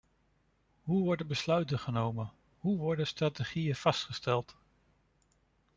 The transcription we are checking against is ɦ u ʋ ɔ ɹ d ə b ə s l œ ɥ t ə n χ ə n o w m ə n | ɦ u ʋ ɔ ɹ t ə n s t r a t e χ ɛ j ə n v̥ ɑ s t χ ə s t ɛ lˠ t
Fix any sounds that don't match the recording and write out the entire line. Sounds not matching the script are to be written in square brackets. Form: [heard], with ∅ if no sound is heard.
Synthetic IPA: ɦ u ʋ ɔ ɹ d ə b ə s l œ ɥ t ə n χ ə n o w m ə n | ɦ u ʋ ɔ ɹ [d] ə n s t r a t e χ [i] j ə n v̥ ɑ s t χ ə s t ɛ lˠ t